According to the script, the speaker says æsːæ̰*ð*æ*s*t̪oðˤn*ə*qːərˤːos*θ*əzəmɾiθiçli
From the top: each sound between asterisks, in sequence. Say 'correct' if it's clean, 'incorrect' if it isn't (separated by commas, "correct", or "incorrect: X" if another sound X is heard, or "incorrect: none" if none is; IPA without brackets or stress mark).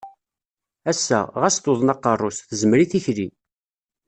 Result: incorrect: ʁ, correct, incorrect: ɑ, correct